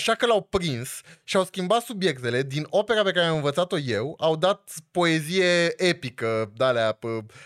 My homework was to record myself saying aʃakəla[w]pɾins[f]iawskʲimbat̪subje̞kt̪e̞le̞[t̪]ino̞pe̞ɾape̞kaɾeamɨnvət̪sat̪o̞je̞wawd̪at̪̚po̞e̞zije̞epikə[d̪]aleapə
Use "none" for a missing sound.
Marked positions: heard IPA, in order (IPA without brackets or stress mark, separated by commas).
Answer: w, ʃ, d̪, d̪